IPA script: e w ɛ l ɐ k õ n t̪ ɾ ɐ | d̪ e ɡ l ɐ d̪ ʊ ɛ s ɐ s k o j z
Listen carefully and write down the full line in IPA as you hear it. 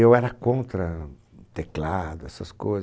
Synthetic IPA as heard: e w ɛ ɾ ɐ k õ n t̪ ɾ ɐ | t̪ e k l a d̪ ʊ ɛ s ɐ s k o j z